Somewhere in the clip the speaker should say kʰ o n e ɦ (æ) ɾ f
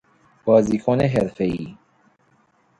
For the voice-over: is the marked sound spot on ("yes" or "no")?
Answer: no